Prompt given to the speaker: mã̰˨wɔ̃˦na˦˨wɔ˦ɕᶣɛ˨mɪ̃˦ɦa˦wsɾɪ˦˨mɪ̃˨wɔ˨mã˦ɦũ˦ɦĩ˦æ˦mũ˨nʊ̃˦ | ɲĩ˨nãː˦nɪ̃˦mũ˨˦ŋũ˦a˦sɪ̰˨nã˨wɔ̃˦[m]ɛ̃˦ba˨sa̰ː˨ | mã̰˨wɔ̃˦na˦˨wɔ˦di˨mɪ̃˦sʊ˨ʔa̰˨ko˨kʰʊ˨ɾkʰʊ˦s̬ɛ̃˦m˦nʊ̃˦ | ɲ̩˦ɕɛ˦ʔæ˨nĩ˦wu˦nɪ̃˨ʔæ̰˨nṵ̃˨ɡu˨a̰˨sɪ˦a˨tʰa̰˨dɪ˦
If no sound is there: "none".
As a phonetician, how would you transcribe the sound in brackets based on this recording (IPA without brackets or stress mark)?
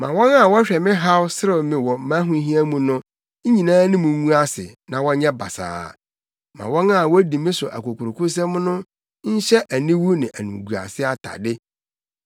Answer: ɲ